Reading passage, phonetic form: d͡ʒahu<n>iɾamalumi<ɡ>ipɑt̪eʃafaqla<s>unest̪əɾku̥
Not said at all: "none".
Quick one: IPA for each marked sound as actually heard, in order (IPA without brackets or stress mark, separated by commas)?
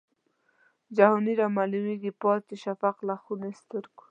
n, ɡ, x